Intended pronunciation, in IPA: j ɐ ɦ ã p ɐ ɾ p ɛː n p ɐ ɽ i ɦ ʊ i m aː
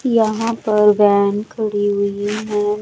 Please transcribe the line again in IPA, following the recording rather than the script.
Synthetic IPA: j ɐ ɦ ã p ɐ ɾ b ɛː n k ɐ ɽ i ɦ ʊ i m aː